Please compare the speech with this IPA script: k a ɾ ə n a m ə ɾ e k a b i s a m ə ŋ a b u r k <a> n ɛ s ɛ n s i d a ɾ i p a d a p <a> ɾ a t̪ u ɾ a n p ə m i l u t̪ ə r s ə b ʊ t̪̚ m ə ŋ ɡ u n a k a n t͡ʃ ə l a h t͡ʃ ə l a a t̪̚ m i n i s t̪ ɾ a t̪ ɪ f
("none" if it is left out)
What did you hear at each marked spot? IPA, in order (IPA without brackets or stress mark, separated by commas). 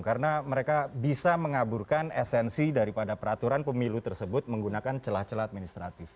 a, ə